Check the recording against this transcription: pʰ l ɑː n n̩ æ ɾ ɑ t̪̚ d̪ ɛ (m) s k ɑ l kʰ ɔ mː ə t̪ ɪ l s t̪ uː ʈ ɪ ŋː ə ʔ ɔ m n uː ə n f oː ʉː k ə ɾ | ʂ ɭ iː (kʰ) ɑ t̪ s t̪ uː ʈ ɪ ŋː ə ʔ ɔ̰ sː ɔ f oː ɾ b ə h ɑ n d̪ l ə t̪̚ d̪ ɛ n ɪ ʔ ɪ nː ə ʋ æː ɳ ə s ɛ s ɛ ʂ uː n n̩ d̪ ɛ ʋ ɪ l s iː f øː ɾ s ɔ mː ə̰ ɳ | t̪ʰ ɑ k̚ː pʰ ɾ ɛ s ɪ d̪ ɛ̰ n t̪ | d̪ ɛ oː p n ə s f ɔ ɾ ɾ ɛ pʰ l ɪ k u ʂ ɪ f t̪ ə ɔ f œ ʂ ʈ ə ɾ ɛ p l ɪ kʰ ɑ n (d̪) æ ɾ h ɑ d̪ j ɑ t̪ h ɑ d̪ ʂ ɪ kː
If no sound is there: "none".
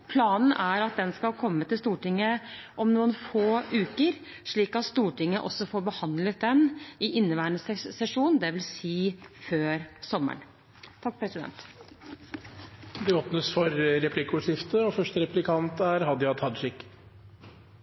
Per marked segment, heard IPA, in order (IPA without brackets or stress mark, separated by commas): n, k, t̪